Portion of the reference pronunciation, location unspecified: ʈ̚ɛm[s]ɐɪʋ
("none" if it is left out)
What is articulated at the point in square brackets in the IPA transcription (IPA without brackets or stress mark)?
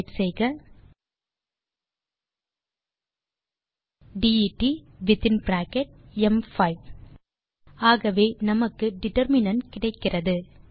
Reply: f